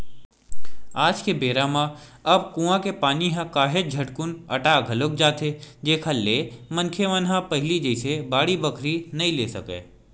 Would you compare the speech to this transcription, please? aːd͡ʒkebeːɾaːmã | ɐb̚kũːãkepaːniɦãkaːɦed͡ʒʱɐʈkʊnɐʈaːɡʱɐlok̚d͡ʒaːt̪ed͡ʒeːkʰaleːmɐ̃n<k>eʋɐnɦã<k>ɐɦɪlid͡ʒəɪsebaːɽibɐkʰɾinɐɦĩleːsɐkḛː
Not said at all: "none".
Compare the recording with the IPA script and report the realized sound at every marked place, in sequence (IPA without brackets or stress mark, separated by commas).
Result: kʰ, p